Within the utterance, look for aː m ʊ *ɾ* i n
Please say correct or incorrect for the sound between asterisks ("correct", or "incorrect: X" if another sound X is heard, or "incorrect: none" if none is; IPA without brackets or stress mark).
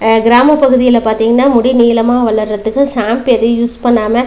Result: incorrect: ɽ